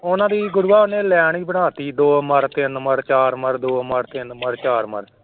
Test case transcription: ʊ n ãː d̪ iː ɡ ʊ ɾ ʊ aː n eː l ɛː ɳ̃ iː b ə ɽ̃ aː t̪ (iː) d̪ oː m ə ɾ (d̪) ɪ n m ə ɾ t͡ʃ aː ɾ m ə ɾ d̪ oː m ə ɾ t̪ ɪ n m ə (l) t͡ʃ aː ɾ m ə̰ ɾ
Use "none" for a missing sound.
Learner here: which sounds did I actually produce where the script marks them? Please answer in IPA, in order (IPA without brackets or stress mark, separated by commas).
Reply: iː, t̪, ɾ